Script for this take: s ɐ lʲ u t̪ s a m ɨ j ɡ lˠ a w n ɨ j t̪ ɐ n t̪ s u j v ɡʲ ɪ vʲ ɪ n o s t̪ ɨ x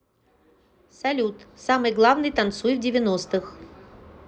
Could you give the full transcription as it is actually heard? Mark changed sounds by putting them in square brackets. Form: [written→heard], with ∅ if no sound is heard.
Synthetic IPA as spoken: s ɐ lʲ u t̪ s a m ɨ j ɡ lˠ a [w→v] n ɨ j t̪ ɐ n t̪ s u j v [ɡʲ→dʲ] ɪ vʲ ɪ n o s t̪ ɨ x